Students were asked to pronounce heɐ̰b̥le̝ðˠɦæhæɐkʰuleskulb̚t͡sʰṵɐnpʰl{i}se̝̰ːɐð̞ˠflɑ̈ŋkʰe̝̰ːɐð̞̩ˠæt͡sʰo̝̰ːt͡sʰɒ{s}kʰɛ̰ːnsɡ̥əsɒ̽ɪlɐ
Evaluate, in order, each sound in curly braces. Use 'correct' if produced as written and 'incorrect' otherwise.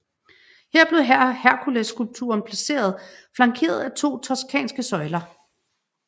incorrect: æ, correct

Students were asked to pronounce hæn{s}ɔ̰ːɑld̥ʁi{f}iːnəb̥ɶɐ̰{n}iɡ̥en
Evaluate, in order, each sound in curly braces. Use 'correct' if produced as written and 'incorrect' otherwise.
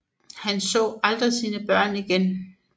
correct, incorrect: s, correct

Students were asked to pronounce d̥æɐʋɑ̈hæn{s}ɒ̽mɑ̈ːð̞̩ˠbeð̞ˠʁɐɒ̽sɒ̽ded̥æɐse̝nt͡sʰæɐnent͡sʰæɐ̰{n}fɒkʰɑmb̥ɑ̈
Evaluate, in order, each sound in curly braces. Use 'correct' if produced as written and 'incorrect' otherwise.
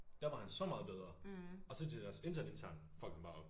correct, correct

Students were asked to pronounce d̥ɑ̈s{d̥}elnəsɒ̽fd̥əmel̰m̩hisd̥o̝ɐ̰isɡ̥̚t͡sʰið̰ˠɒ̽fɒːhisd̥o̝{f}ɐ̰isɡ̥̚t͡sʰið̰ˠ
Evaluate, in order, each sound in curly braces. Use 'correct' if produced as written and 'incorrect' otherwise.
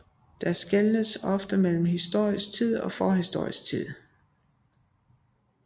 incorrect: ɡ̥, incorrect: none

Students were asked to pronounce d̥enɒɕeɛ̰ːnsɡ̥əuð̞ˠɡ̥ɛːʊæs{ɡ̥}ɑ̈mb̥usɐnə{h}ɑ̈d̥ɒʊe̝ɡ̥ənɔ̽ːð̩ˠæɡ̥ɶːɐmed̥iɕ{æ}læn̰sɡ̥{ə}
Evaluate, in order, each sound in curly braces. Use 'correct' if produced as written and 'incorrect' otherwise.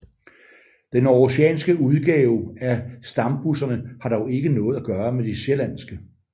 incorrect: d̥, correct, incorrect: e, correct

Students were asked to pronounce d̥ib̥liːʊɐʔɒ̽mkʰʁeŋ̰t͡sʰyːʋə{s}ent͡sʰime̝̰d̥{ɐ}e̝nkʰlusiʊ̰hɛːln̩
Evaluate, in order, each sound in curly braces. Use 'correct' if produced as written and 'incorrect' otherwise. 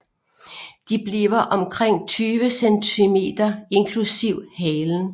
correct, correct

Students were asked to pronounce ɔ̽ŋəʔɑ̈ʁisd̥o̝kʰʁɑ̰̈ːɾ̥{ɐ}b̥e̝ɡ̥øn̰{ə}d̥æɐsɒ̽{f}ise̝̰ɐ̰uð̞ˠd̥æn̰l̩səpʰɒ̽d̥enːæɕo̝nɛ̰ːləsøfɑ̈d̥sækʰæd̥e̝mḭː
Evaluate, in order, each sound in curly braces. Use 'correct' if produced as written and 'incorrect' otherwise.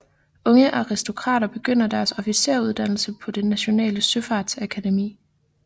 correct, incorrect: ɐ, correct

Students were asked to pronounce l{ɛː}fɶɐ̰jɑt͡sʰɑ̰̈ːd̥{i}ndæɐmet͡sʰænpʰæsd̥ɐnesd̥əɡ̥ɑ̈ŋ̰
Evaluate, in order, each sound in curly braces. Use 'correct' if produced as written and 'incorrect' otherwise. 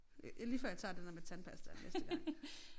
incorrect: iː, incorrect: e

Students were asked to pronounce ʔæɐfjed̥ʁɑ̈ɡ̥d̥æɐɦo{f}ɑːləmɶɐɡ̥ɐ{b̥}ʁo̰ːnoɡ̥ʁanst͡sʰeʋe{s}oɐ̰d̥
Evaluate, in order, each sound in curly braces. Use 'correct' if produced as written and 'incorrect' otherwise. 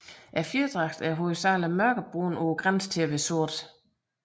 incorrect: s, correct, correct

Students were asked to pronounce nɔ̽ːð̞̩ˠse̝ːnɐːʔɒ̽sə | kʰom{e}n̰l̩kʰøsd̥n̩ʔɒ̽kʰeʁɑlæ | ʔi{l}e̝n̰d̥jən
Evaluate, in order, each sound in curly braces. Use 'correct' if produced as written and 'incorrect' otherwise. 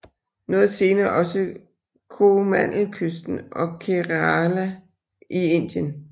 incorrect: æ, incorrect: none

